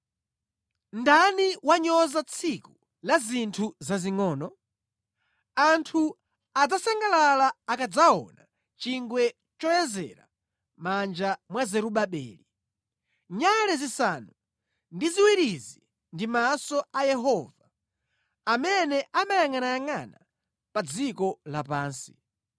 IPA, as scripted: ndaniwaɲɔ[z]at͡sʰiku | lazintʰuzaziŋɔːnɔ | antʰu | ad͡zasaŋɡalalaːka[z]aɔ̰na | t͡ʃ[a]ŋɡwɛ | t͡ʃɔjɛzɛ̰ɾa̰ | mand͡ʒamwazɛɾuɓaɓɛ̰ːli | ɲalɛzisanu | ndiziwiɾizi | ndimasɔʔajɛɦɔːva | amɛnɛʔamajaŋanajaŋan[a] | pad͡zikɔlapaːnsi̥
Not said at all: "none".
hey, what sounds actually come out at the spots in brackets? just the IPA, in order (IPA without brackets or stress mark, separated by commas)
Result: z, d͡z, i, a